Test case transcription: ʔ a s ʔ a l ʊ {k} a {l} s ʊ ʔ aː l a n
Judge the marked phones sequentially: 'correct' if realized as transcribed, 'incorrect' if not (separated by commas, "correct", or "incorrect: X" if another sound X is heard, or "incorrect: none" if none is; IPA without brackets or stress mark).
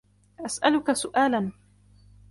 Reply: correct, incorrect: none